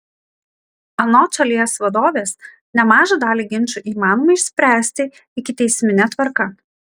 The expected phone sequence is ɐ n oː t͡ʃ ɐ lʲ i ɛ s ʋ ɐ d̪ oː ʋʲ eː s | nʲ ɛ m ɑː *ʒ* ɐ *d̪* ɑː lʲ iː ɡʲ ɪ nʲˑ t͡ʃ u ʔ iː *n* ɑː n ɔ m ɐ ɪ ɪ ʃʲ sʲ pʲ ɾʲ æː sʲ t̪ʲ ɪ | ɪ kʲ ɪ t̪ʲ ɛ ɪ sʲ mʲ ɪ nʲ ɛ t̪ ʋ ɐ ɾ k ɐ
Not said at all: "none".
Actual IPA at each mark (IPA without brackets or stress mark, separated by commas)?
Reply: ʒ, d̪, m